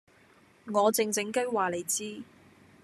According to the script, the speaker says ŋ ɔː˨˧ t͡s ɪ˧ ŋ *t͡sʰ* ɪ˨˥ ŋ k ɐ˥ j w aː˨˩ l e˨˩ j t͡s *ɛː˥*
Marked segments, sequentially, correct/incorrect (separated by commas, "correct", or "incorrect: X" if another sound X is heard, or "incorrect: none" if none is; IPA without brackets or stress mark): incorrect: t͡s, incorrect: iː˥